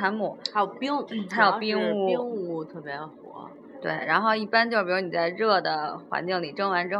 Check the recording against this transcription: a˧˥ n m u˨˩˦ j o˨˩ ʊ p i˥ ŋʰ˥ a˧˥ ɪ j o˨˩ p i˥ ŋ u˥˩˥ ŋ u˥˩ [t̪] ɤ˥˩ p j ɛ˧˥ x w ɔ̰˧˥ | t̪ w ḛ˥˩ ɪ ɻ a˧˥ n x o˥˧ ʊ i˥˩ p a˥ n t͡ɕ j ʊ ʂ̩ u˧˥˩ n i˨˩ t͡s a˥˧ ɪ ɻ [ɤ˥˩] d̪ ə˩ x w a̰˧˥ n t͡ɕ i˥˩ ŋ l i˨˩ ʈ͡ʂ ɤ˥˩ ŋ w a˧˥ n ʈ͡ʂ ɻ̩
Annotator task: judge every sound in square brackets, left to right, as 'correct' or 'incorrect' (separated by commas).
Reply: incorrect, correct